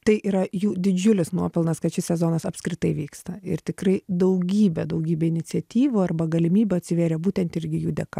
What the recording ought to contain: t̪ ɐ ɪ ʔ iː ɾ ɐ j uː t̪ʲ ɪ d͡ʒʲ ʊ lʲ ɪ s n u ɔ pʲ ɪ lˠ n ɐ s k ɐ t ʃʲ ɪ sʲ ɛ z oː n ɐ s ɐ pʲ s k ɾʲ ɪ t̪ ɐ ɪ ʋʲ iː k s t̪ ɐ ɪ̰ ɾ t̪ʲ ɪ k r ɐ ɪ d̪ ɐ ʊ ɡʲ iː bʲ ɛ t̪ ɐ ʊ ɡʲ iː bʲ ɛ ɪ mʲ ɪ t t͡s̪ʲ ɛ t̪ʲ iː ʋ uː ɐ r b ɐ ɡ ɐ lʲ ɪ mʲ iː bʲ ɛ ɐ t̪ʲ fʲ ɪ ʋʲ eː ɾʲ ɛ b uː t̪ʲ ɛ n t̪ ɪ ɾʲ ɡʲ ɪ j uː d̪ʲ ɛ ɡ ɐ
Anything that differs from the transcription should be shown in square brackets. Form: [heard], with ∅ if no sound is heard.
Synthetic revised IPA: t̪ ɐ ɪ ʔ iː ɾ ɐ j uː [d̪ʲ] ɪ d͡ʒʲ ʊ lʲ ɪ s n u ɔ pʲ ɪ lˠ n ɐ s k ɐ t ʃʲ ɪ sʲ ɛ z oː n ɐ s ɐ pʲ s k ɾʲ ɪ t̪ ɐ ɪ ʋʲ iː k s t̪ ɐ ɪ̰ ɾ t̪ʲ ɪ k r ɐ ɪ d̪ ɐ ʊ ɡʲ iː bʲ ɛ [d̪] ɐ ʊ ɡʲ iː bʲ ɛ ɪ [nʲ] ɪ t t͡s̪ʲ ɛ t̪ʲ iː ʋ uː ɐ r b ɐ ɡ ɐ lʲ ɪ mʲ iː bʲ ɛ ɐ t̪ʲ [sʲ] ɪ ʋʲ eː ɾʲ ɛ b uː t̪ʲ ɛ n t̪ ɪ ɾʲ ɡʲ ɪ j uː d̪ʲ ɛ [k] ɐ

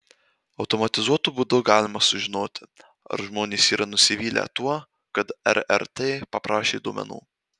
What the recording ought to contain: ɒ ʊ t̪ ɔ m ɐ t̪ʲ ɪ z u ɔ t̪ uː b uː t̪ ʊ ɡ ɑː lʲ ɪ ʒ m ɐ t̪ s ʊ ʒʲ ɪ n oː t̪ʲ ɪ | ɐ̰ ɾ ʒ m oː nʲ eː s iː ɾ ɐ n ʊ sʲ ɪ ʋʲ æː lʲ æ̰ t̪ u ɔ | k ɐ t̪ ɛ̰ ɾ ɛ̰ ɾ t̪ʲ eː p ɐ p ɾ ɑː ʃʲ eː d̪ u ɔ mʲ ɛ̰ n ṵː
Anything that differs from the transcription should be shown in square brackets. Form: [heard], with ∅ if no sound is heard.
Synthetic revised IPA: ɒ ʊ t̪ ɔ m ɐ t̪ʲ ɪ z u ɔ t̪ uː b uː [d̪] ʊ ɡ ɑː lʲ ɪ [∅] m ɐ [∅] s ʊ ʒʲ ɪ n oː t̪ʲ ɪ | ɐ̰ ɾ ʒ m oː nʲ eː s iː ɾ ɐ n ʊ sʲ ɪ ʋʲ [iː] lʲ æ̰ t̪ u ɔ | k ɐ t̪ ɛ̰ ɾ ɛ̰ ɾ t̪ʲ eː p ɐ p ɾ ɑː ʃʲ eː d̪ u ɔ mʲ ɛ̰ n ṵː

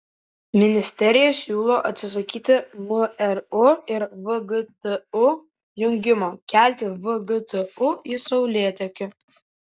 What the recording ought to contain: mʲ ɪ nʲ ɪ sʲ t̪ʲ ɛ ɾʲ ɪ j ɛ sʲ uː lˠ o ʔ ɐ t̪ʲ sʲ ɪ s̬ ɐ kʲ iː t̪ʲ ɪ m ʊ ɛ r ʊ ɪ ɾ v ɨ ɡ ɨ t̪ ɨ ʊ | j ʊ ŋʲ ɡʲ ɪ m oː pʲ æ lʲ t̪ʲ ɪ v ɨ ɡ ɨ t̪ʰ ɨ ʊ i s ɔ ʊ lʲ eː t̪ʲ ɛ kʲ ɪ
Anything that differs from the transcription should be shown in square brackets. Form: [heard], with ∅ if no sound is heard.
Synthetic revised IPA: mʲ ɪ nʲ ɪ sʲ t̪ʲ ɛ ɾʲ ɪ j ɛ sʲ uː lˠ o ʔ ɐ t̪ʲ sʲ ɪ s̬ ɐ kʲ iː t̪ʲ ɪ m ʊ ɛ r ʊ ɪ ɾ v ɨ ɡ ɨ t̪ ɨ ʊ | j ʊ ŋʲ ɡʲ ɪ m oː [kʲ] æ lʲ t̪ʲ ɪ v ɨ ɡ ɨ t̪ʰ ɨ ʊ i s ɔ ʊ lʲ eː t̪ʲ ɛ kʲ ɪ

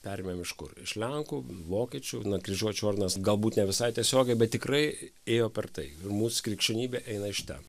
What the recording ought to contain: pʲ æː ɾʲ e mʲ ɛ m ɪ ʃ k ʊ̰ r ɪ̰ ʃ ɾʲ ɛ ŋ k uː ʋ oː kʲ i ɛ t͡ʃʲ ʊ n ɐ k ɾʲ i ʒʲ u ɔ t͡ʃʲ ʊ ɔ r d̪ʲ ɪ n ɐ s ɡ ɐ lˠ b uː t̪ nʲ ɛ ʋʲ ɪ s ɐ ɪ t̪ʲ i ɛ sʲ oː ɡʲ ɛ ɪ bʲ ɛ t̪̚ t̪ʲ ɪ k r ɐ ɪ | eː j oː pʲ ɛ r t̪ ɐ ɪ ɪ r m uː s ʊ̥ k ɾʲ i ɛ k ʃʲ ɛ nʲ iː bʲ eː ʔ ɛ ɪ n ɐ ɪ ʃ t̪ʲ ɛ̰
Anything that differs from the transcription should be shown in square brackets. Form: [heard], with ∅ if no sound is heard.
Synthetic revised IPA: pʲ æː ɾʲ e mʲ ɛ m ɪ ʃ k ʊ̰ r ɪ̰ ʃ [lʲ] ɛ ŋ k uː ʋ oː kʲ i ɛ t͡ʃʲ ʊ n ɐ k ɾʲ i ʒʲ u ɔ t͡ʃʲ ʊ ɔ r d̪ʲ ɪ n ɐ s ɡ ɐ lˠ b uː t̪ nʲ ɛ ʋʲ ɪ s ɐ ɪ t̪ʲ i ɛ sʲ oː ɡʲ ɛ ɪ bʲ ɛ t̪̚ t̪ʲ ɪ k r ɐ ɪ | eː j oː pʲ ɛ r t̪ ɐ ɪ ɪ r m uː s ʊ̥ k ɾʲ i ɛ k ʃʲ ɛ nʲ iː bʲ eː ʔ ɛ ɪ n ɐ ɪ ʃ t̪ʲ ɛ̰

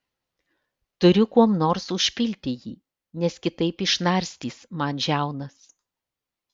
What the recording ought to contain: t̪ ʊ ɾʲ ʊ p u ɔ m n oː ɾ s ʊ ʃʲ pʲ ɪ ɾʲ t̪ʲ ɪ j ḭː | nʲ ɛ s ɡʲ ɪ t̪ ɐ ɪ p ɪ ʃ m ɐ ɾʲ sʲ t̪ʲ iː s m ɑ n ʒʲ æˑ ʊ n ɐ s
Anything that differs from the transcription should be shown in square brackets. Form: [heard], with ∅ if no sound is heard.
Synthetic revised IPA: t̪ ʊ ɾʲ ʊ [k] u ɔ m n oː ɾ s ʊ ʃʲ pʲ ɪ [lʲ] t̪ʲ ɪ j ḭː | nʲ ɛ s [kʲ] ɪ t̪ ɐ ɪ p ɪ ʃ [n] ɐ ɾʲ sʲ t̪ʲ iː s m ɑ n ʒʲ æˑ ʊ n ɐ s

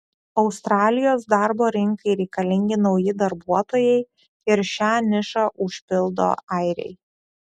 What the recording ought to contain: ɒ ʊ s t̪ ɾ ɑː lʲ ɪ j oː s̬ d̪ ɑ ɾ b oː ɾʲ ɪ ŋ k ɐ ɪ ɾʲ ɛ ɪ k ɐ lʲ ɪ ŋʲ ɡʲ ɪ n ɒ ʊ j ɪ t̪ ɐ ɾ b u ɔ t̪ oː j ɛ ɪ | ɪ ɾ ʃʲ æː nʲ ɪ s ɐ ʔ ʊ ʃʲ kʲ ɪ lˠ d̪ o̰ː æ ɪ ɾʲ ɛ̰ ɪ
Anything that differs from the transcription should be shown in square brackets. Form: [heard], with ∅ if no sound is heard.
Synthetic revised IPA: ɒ ʊ s t̪ ɾ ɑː lʲ ɪ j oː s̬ d̪ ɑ ɾ b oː ɾʲ ɪ ŋ k ɐ ɪ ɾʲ ɛ ɪ k ɐ lʲ ɪ ŋʲ ɡʲ ɪ n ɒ ʊ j ɪ [d̪] ɐ ɾ b u ɔ t̪ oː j ɛ ɪ | ɪ ɾ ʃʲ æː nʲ ɪ [ʃ] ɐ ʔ ʊ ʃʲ [pʲ] ɪ lˠ d̪ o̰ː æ ɪ ɾʲ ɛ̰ ɪ

